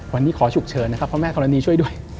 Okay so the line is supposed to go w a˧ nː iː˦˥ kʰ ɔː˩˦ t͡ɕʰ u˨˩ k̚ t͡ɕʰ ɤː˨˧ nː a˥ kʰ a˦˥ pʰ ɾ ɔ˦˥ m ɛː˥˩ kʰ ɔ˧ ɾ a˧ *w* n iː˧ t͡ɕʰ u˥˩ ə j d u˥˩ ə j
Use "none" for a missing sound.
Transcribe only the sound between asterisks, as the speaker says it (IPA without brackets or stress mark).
none